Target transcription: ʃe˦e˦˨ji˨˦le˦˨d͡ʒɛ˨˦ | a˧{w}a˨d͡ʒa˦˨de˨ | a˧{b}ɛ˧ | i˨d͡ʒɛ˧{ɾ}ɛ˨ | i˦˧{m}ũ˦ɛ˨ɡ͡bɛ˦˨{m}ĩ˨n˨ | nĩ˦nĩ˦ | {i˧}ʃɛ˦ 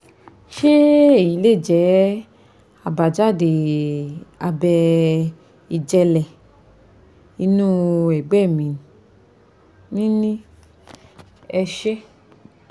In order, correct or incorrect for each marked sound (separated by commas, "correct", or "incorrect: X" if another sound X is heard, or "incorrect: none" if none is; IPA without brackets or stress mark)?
incorrect: b, correct, incorrect: l, incorrect: n, correct, incorrect: ɛ˧